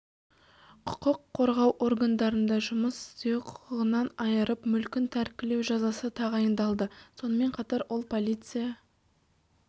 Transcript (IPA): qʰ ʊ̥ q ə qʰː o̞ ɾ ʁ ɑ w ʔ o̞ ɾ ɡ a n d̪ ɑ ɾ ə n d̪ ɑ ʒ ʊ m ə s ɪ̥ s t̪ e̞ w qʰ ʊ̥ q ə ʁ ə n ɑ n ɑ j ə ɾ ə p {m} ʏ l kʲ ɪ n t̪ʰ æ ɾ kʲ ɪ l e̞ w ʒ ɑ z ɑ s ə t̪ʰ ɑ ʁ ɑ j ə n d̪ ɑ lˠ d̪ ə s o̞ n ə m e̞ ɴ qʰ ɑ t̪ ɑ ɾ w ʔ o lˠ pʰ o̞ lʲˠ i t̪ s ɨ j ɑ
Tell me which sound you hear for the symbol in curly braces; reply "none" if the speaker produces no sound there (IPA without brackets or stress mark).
m